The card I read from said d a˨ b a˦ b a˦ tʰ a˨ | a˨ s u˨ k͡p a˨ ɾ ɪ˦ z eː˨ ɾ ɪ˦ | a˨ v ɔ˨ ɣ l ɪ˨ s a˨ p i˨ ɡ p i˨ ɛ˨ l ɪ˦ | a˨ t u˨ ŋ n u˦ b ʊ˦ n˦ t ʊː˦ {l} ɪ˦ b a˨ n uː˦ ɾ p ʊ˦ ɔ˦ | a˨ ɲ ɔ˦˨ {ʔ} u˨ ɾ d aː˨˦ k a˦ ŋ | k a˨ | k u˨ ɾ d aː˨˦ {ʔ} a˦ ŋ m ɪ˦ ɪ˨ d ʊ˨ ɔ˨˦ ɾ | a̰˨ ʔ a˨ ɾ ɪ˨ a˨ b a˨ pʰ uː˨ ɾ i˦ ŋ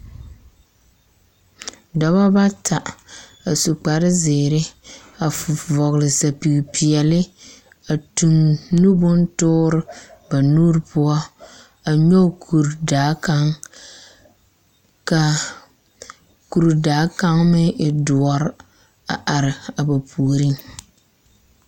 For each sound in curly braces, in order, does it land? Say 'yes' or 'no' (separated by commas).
no, no, no